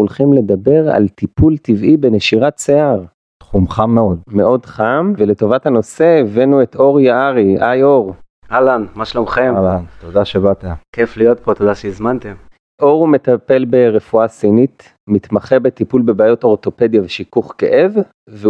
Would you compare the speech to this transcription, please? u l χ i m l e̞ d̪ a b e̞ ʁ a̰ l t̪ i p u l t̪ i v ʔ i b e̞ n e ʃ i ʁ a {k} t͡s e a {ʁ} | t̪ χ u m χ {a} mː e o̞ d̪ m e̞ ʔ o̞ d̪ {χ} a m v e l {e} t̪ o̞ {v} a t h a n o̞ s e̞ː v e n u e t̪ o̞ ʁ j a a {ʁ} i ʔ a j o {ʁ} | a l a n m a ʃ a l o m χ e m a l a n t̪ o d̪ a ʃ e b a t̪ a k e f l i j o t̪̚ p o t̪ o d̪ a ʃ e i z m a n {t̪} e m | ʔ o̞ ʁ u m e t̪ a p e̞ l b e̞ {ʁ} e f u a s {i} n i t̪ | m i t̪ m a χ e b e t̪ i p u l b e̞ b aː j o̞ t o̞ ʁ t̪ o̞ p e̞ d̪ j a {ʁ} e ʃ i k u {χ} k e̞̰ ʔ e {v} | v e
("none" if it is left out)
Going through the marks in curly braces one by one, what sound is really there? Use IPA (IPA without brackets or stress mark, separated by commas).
t, ʁ, a, χ, e, v, ʁ, ʁ, t̪, ʁ, i, v, χ, v